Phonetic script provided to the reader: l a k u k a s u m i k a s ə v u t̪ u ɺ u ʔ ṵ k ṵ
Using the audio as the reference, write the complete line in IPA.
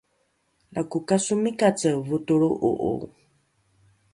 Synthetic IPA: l a k u k a s u m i k a t͡s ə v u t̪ u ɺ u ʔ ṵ ʔ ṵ